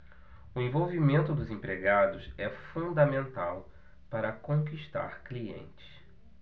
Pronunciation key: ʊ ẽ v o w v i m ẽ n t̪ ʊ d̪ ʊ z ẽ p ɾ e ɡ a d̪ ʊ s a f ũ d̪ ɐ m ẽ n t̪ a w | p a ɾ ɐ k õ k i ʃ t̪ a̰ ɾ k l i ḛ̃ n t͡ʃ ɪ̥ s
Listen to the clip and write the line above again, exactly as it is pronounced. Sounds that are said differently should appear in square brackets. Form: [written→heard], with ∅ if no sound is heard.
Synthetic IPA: ʊ ẽ v o w v i m ẽ n t̪ ʊ d̪ ʊ z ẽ p ɾ e ɡ a d̪ ʊ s [a→ɛ] f ũ d̪ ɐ m ẽ n t̪ a w | p a ɾ ɐ k õ k i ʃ t̪ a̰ ɾ k l i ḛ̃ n t͡ʃ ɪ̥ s